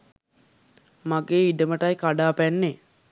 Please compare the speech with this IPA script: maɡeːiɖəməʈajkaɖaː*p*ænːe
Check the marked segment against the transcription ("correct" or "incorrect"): correct